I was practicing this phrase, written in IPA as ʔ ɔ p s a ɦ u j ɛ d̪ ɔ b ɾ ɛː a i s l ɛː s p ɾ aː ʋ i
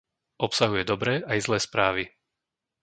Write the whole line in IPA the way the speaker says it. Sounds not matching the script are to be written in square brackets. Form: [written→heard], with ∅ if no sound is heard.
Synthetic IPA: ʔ ɔ p s a ɦ u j ɛ d̪ ɔ b ɾ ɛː a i [s→z] l ɛː s p ɾ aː ʋ i